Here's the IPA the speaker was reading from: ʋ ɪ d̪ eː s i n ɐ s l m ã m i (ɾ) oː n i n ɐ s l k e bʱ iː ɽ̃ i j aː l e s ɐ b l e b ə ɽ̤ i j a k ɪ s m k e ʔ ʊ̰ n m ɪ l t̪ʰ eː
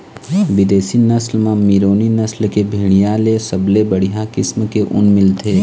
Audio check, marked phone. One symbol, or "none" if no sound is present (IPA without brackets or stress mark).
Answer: ɾ